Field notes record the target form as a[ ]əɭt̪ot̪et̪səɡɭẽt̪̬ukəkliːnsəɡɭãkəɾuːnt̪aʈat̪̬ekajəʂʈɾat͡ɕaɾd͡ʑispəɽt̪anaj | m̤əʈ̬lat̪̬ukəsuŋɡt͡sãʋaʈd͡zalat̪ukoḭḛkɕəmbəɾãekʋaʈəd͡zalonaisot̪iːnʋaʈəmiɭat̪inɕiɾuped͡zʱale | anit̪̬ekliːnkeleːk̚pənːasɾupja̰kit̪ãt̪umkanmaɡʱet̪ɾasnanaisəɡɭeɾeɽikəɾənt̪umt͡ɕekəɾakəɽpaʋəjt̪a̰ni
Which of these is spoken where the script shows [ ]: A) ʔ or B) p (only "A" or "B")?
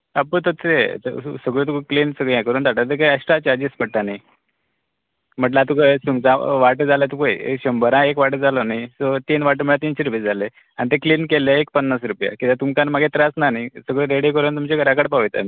B